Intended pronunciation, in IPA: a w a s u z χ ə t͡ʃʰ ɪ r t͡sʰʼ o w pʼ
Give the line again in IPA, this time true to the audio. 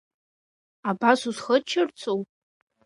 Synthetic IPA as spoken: a b a s u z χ ə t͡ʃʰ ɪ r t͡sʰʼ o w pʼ